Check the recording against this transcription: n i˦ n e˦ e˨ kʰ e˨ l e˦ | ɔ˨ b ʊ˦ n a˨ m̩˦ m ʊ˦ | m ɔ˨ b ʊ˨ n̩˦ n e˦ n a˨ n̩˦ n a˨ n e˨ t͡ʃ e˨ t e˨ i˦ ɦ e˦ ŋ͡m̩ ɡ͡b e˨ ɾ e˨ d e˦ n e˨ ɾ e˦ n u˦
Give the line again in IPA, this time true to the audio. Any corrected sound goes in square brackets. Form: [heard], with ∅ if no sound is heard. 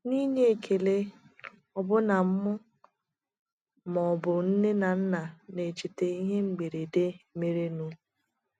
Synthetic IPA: n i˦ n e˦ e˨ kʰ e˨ l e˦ | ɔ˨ b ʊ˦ n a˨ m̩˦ m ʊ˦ | m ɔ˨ b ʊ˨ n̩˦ n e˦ n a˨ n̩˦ n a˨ n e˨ t͡ʃ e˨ t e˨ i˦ ɦ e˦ ŋ͡m̩ ɡ͡b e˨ ɾ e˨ d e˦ [m] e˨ ɾ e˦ n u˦

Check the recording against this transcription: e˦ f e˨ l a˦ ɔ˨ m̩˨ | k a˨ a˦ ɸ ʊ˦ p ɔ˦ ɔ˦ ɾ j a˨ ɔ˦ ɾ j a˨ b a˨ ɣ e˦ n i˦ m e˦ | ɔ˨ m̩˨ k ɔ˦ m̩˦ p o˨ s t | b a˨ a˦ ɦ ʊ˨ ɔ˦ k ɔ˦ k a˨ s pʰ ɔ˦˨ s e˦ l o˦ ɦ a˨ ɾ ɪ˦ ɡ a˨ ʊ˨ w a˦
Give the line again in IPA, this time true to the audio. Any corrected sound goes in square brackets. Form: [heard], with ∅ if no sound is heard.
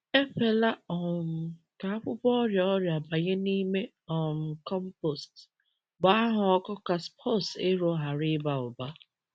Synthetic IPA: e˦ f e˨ l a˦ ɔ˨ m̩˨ | k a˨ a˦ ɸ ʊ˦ p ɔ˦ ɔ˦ ɾ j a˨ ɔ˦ ɾ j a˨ b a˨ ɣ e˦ n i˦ m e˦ | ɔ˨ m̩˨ k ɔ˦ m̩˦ p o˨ s t | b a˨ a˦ ɦ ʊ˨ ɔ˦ k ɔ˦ k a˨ s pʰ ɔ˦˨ s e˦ [ɾ] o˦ ɦ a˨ ɾ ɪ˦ [b] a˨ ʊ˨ [b] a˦

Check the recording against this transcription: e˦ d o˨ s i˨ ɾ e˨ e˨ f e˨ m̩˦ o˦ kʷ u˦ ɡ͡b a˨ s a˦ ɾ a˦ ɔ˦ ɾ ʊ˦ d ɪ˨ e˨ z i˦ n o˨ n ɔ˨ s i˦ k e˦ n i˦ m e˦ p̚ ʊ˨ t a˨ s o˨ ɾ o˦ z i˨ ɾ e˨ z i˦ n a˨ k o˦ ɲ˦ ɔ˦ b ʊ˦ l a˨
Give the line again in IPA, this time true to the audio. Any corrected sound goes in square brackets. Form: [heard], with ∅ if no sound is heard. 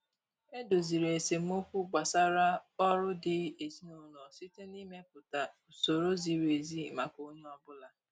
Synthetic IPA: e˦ d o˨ [z] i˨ ɾ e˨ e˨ [s] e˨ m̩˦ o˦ kʷ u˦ ɡ͡b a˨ s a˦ ɾ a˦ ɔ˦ ɾ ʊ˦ d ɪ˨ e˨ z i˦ n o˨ n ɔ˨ s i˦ [t] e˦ n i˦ m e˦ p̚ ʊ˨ t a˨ s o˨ ɾ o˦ z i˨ ɾ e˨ z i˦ [m] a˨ k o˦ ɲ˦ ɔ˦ b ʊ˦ l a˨

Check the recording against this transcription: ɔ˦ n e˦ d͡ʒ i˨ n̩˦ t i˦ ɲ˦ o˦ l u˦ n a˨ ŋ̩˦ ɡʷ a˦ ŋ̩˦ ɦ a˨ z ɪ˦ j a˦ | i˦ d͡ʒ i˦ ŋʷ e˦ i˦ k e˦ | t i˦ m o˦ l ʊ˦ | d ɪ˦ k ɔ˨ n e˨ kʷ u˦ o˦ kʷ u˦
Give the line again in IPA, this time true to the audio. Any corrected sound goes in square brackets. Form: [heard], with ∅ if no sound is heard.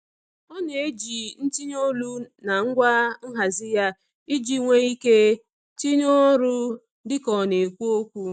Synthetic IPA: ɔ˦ n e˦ d͡ʒ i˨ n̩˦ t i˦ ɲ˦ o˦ l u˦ n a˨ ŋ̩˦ ɡʷ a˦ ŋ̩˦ ɦ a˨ z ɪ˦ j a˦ | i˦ d͡ʒ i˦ ŋʷ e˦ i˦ k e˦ | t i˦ [ɲ] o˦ [ɾ] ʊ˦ | d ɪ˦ k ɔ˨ n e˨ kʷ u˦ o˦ kʷ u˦

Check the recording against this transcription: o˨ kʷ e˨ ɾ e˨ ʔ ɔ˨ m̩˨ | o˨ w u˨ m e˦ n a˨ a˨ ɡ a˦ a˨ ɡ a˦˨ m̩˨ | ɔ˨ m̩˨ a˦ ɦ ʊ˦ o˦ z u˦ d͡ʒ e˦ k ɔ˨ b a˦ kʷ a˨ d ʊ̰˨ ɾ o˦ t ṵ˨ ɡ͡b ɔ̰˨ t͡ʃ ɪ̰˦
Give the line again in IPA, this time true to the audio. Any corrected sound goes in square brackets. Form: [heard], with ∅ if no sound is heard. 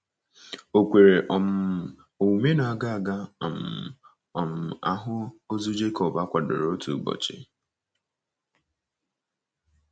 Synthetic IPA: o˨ kʷ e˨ ɾ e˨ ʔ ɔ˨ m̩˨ | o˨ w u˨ m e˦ n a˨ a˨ ɡ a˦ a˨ ɡ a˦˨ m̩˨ | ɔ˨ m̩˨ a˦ ɦ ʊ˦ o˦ z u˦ d͡ʒ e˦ k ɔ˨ b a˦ kʷ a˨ d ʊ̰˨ ɾ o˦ t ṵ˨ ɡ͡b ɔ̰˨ t͡ʃ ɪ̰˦

